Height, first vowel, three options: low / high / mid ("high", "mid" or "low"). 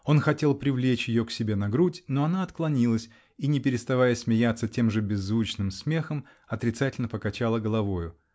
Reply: mid